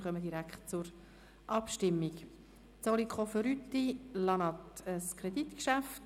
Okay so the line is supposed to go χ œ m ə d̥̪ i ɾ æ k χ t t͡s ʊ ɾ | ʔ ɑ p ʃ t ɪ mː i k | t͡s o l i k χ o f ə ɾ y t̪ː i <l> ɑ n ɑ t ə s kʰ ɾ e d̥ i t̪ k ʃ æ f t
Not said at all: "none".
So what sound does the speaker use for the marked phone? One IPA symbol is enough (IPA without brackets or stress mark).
l